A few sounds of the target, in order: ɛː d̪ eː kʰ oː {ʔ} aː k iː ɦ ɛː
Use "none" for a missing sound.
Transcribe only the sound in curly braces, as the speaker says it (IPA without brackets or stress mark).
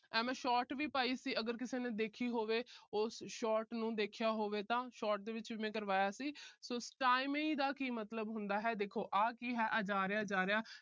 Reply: ʔ